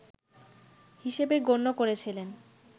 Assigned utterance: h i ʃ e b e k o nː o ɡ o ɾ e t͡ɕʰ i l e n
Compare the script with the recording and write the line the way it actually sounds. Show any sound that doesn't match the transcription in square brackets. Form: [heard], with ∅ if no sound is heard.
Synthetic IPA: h i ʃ e b e [ɡ] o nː o [k] o ɾ e t͡ɕʰ i l e n